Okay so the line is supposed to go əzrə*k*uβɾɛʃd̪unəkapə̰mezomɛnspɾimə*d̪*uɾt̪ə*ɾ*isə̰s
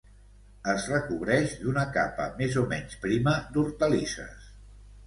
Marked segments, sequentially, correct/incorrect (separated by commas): correct, correct, incorrect